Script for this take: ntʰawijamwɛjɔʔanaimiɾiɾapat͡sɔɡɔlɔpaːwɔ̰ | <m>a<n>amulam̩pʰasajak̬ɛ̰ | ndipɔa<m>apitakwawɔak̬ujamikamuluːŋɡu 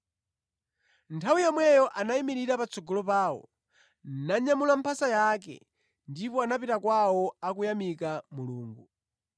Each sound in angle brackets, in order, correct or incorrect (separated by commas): incorrect, incorrect, incorrect